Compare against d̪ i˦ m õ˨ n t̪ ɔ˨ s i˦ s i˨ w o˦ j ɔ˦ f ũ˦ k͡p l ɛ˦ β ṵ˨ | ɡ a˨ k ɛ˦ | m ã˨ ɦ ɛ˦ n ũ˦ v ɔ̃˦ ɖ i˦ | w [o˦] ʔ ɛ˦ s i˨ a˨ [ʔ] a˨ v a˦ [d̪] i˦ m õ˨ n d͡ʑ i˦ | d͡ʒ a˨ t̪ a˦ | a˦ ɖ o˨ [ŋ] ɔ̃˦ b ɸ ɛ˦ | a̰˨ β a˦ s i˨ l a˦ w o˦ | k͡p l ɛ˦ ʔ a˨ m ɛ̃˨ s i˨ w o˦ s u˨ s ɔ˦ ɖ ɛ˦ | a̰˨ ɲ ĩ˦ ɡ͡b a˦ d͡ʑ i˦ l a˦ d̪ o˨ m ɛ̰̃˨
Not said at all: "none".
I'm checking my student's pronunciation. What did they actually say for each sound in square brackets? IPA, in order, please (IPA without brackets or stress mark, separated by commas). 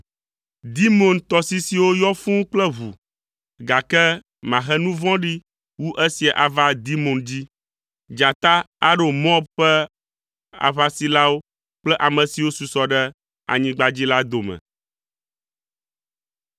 u˦, ʔ, d̪, m